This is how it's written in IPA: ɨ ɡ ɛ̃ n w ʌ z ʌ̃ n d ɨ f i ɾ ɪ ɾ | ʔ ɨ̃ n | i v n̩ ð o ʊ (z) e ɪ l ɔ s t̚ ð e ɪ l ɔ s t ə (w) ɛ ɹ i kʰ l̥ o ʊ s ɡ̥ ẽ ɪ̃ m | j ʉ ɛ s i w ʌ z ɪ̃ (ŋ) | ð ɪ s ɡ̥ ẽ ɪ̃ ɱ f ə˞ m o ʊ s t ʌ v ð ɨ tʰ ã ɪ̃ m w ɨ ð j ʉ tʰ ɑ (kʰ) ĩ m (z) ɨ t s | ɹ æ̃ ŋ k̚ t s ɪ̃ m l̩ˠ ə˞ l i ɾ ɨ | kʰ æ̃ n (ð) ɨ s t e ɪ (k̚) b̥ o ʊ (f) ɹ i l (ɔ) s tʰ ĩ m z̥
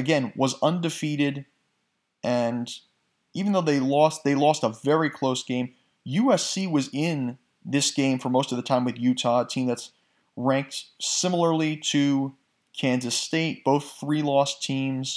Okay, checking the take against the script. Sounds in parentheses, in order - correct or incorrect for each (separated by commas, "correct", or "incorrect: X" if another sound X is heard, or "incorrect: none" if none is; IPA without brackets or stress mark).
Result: incorrect: ð, incorrect: v, incorrect: n, incorrect: tʰ, incorrect: ð, incorrect: z, incorrect: t̚, incorrect: θ, correct